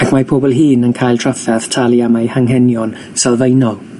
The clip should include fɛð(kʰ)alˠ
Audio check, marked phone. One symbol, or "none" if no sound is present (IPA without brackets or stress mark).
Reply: tʰ